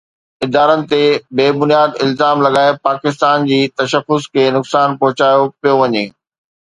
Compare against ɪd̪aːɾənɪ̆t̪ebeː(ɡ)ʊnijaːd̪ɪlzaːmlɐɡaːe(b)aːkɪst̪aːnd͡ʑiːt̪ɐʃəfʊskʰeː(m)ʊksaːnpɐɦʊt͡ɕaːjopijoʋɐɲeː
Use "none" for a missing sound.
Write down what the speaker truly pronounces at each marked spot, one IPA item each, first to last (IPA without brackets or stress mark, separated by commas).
b, p, n